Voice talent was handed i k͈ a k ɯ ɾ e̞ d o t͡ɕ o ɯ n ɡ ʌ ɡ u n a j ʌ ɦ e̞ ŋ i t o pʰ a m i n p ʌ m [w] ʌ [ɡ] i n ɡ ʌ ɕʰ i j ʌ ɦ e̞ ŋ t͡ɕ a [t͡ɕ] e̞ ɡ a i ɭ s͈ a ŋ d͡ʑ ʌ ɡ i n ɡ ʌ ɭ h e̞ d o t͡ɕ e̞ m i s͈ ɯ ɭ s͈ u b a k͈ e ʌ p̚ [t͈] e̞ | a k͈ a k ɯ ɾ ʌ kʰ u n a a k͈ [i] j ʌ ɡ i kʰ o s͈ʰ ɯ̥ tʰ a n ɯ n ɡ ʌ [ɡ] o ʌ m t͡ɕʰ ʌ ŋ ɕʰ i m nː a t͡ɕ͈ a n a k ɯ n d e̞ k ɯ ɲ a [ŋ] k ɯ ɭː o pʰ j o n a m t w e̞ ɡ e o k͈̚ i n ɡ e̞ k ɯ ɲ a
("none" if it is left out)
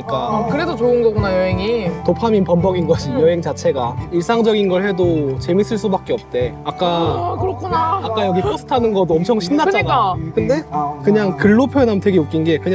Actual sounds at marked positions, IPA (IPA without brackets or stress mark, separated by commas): b, ɡ, t͡ɕʰ, t͈, a, d, ŋ